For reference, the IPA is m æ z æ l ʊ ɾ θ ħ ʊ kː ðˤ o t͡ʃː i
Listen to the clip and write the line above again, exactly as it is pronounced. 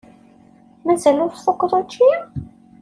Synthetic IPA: m æ z æ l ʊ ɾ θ f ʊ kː ðˤ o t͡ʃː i